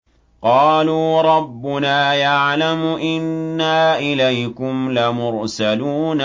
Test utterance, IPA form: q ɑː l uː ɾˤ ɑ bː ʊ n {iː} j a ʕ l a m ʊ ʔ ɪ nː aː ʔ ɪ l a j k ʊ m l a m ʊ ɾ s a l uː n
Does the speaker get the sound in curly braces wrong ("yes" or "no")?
yes